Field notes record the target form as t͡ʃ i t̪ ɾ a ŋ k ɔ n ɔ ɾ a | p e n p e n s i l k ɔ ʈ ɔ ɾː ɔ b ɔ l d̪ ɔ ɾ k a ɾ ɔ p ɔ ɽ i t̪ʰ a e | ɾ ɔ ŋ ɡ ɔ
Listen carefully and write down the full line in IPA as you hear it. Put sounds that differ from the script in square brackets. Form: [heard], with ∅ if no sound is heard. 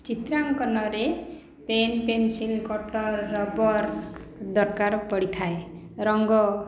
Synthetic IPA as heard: t͡ʃ i t̪ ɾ a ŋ k ɔ n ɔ ɾ [e] | p e n p e n s i l k ɔ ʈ ɔ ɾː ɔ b ɔ [ɾ] d̪ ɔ ɾ k a ɾ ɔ p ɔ ɽ i t̪ʰ a e | ɾ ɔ ŋ ɡ ɔ

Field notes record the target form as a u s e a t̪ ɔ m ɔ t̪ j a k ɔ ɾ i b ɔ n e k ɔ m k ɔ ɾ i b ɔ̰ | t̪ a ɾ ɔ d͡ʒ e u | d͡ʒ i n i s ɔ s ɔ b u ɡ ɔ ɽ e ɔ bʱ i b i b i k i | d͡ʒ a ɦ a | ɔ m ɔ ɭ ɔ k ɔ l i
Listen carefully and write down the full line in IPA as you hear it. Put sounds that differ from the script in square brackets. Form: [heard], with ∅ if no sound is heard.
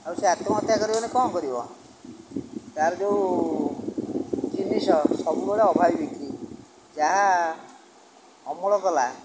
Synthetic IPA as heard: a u s e a t̪ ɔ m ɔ t̪ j a k ɔ ɾ i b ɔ n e k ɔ m k ɔ ɾ i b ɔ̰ | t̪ a ɾ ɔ d͡ʒ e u | d͡ʒ i n i s ɔ s ɔ b u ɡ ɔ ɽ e ɔ bʱ [a] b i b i k i | d͡ʒ a ɦ a | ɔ m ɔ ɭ ɔ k ɔ l [a]

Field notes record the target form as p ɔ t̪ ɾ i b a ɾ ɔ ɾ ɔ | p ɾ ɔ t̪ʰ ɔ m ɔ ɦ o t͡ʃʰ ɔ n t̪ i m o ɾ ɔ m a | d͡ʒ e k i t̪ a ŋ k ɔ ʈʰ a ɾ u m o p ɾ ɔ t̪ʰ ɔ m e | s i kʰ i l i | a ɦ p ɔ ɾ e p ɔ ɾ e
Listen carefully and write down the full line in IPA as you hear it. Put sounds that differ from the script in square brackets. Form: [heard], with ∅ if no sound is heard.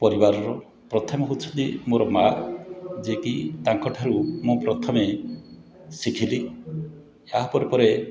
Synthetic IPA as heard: p ɔ [∅] ɾ i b a ɾ ɔ ɾ ɔ | p ɾ ɔ t̪ʰ ɔ m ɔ ɦ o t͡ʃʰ ɔ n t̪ i m o ɾ ɔ m a | d͡ʒ e k i t̪ a ŋ k ɔ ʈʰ a ɾ u m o p ɾ ɔ t̪ʰ ɔ m e | s i kʰ i l i | a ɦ p ɔ ɾ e p ɔ ɾ e

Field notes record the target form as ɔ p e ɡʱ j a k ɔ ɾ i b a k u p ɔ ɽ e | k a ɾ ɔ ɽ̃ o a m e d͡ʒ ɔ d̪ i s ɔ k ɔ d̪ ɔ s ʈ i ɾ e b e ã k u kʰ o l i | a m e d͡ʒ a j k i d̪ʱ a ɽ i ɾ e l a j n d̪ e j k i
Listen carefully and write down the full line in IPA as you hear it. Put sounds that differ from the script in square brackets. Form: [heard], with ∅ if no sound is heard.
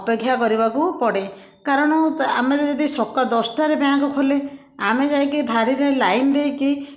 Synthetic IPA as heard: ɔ p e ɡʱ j a k ɔ ɾ i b a k u p ɔ ɽ e | k a ɾ ɔ ɽ̃ [ɔ] a m e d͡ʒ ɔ d̪ i s ɔ k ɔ d̪ ɔ s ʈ [a] ɾ e b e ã k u kʰ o l [e] | a m e d͡ʒ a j k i d̪ʱ a ɽ i ɾ e l a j n d̪ e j k i

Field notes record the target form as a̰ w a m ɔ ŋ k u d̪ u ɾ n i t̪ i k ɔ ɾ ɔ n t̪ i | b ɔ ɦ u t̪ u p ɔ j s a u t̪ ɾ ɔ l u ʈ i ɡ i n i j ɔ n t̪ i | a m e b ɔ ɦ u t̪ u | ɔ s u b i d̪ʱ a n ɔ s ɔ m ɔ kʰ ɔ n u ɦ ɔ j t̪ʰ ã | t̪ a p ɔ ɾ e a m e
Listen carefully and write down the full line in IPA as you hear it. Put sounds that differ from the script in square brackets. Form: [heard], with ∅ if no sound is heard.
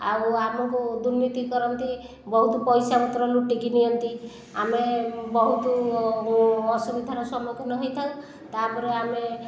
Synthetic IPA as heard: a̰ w a m ɔ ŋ k u d̪ u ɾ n i t̪ i k ɔ ɾ ɔ n t̪ i | b ɔ ɦ u t̪ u p ɔ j s a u t̪ ɾ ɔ l u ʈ i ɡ i n i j ɔ n t̪ i | a m e b ɔ ɦ u t̪ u | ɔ s u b i d̪ʱ a n ɔ s ɔ m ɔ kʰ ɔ n [ɔ] ɦ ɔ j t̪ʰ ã | t̪ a p ɔ ɾ e a m e

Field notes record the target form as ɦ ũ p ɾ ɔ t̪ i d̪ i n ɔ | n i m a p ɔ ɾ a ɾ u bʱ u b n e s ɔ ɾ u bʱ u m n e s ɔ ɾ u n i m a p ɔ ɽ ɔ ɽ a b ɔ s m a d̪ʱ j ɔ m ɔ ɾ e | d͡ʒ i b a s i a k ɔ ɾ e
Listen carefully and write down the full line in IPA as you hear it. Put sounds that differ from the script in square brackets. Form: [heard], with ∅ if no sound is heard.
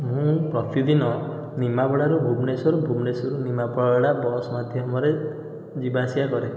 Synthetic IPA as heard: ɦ ũ p ɾ ɔ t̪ i d̪ i n ɔ | n i m a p ɔ [ɽ] a ɾ u bʱ u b n e s ɔ ɾ u bʱ u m n e s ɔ ɾ u n i m a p ɔ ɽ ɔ ɽ a b ɔ s m a d̪ʱ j ɔ m ɔ ɾ e | d͡ʒ i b a s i a k ɔ ɾ e

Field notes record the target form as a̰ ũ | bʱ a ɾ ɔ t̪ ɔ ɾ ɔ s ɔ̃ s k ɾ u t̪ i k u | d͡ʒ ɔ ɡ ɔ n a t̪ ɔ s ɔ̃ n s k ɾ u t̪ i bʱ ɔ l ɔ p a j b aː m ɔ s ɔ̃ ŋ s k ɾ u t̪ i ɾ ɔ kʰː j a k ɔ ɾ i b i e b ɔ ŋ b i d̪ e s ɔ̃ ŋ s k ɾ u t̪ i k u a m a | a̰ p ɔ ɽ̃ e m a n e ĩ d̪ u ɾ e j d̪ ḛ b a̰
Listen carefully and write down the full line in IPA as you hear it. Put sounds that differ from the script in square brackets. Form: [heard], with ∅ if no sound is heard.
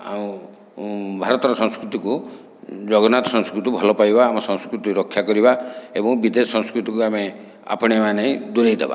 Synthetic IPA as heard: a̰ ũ | bʱ a ɾ ɔ t̪ ɔ ɾ ɔ s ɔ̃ s k ɾ u t̪ i k u | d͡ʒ ɔ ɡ ɔ n a t̪ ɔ s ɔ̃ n s k ɾ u t̪ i bʱ ɔ l ɔ p a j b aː m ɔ s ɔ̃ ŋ s k ɾ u t̪ i ɾ ɔ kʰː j a k ɔ ɾ i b [a] e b ɔ ŋ b i d̪ e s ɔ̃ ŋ s k ɾ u t̪ i k u a m [e] | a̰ p ɔ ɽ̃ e m a n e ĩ d̪ u ɾ e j d̪ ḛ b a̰

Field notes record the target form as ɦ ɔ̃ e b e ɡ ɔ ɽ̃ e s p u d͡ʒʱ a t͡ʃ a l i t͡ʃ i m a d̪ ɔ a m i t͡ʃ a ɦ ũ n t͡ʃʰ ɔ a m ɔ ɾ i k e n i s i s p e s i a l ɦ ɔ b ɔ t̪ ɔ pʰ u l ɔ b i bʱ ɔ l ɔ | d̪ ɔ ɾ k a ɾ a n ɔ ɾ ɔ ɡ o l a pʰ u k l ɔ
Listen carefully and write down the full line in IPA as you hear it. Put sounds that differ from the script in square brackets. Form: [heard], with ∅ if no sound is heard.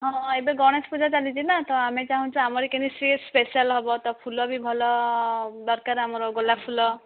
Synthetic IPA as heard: ɦ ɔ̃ e b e ɡ ɔ ɽ̃ e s p u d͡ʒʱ a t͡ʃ a l i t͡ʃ i [n] a [t̪] ɔ a m [e] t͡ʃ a ɦ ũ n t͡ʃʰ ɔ a m ɔ ɾ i k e n i s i s p e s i a l ɦ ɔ b ɔ t̪ ɔ pʰ u l ɔ b i bʱ ɔ l ɔ | d̪ ɔ ɾ k a ɾ a [m] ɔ ɾ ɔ ɡ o l a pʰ u [∅] l ɔ

